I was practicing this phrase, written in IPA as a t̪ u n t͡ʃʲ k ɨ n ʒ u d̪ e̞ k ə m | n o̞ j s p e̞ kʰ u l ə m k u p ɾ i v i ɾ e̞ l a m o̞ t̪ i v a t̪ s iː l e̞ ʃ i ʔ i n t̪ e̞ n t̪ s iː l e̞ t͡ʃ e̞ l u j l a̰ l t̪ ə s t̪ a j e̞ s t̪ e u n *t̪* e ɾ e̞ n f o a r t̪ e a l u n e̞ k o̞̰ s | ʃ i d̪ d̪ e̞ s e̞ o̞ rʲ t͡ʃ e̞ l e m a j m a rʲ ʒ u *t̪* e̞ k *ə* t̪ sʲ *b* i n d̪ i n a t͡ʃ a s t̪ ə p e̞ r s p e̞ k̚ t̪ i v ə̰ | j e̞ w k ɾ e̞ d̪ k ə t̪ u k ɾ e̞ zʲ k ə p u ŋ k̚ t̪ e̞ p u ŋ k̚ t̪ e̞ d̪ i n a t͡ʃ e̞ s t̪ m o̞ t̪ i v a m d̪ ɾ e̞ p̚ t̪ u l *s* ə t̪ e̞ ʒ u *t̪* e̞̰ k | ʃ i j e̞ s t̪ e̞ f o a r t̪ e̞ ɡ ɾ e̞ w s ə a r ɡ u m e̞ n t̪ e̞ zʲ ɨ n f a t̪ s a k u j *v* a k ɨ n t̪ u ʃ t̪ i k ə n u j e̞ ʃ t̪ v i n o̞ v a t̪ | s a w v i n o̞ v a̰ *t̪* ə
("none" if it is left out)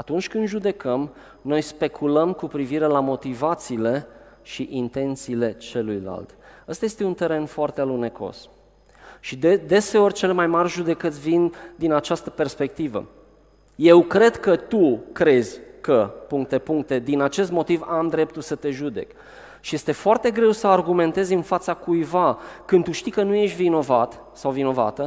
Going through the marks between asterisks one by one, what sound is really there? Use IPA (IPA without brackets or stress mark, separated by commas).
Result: t̪, d̪, ə, v, s, d̪, v, t̪